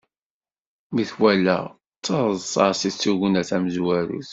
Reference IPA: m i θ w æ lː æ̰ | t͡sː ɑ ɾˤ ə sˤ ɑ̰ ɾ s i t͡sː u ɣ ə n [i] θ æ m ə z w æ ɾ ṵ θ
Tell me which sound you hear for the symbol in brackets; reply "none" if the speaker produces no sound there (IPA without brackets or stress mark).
æ